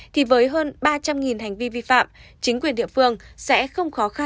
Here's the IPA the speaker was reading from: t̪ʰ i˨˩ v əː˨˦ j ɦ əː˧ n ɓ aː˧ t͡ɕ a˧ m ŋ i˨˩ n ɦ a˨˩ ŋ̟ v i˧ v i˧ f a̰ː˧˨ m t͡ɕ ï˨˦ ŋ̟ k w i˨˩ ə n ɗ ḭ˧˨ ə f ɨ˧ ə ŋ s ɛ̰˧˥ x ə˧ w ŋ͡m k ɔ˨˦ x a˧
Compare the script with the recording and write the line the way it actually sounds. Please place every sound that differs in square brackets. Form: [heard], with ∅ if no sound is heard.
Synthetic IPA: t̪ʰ i˨˩ v əː˨˦ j ɦ əː˧ n ɓ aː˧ t͡ɕ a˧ m ŋ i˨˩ n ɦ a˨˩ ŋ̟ v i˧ v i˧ f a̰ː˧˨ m t͡ɕ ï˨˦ ŋ̟ k w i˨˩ ə n ɗ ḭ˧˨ ə f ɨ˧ ə ŋ s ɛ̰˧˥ x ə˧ w ŋ͡m [x] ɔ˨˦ x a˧